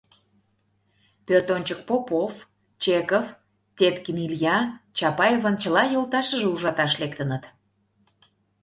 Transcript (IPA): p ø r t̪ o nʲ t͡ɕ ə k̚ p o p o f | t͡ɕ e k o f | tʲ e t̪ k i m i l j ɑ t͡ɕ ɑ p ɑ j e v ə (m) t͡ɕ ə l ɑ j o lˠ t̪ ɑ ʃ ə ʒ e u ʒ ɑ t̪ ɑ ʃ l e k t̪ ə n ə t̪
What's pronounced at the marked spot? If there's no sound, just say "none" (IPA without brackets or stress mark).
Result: n